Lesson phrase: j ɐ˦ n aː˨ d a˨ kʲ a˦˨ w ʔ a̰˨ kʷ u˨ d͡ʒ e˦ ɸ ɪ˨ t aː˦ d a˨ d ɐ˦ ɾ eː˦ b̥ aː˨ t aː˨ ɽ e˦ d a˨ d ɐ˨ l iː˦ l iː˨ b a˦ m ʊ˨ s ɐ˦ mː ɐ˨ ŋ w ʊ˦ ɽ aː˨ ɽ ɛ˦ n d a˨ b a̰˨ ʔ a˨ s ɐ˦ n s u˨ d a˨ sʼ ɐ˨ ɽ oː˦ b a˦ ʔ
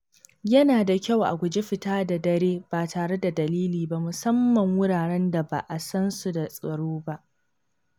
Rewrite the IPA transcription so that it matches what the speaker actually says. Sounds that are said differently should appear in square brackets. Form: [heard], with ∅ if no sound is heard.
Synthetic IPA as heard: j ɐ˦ n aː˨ d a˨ kʲ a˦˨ w ʔ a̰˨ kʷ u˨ d͡ʒ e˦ ɸ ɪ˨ t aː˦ d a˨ d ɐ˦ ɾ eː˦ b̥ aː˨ t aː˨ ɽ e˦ d a˨ d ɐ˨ l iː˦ l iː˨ b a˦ m ʊ˨ s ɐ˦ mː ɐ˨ ŋ w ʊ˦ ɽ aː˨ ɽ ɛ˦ n d a˨ b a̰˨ ʔ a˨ s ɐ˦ n s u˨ d a˨ sʼ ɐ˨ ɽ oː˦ b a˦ ʔ